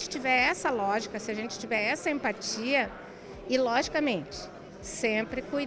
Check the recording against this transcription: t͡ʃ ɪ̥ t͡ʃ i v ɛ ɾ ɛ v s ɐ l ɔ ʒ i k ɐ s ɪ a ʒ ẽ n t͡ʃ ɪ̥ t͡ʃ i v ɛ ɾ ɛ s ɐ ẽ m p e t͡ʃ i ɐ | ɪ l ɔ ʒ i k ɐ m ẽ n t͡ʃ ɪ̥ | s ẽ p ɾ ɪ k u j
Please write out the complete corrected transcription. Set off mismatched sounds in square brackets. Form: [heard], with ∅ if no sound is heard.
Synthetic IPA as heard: t͡ʃ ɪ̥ t͡ʃ i v ɛ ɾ ɛ [∅] s ɐ l ɔ ʒ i k ɐ s ɪ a ʒ ẽ n t͡ʃ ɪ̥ t͡ʃ i v ɛ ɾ ɛ s ɐ ẽ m p [a] t͡ʃ i ɐ | ɪ l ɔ ʒ i k ɐ m ẽ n t͡ʃ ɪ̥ | s ẽ p ɾ ɪ k u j